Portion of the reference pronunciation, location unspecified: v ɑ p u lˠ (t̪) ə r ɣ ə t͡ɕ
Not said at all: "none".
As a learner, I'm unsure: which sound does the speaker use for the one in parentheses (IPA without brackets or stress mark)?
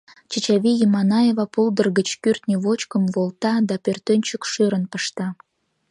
d̪